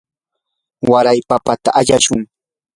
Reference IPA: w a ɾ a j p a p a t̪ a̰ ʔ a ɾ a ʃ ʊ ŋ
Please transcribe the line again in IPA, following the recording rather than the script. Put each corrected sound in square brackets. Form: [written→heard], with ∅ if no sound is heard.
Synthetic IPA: w a ɾ a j p a p a t̪ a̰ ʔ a [ɾ→ʎ] a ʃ ʊ ŋ